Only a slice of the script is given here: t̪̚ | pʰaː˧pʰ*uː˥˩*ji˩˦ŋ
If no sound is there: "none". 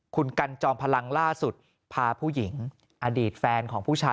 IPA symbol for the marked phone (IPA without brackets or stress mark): uː˥˩